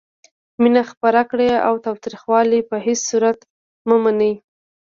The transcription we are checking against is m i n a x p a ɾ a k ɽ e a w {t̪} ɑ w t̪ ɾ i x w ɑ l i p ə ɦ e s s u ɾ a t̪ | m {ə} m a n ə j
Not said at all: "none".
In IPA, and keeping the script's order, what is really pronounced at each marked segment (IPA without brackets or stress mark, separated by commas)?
t̪, ə